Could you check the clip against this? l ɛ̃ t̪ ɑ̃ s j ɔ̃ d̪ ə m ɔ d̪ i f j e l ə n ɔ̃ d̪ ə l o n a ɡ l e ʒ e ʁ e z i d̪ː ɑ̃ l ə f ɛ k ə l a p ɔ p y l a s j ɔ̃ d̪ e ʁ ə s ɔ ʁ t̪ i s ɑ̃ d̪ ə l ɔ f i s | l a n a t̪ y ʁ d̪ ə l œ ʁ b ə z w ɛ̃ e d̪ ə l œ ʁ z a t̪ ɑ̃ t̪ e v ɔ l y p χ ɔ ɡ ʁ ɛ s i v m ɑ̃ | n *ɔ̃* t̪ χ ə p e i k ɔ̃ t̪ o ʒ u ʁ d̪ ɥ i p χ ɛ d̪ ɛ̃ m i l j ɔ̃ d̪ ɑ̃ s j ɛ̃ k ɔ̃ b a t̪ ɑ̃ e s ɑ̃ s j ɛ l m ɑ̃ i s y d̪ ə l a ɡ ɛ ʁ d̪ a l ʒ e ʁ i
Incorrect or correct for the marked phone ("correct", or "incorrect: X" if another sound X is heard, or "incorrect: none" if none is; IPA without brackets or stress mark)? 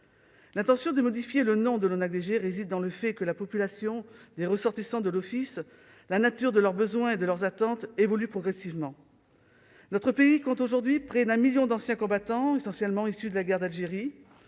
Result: incorrect: ɔ